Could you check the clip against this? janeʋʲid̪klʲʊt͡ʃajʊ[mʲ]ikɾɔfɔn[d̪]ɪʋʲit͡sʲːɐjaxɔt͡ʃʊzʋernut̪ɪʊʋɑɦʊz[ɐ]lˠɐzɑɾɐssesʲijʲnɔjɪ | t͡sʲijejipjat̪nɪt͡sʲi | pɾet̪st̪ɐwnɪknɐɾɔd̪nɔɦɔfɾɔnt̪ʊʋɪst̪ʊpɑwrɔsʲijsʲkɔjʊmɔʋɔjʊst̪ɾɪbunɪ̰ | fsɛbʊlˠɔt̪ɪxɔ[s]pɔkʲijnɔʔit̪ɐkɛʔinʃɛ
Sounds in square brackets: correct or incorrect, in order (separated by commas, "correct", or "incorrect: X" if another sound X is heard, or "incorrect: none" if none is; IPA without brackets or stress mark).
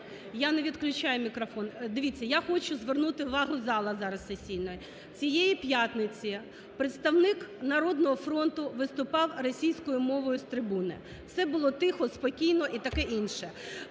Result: correct, correct, incorrect: ɑ, correct